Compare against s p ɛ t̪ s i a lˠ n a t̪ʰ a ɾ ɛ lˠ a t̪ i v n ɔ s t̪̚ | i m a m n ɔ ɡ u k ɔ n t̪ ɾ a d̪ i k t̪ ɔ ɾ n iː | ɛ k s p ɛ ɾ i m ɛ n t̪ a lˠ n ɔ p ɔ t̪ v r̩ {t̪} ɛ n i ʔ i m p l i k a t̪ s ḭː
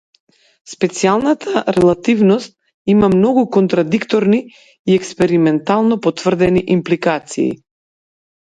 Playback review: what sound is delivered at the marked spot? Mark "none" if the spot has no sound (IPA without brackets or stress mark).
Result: d̪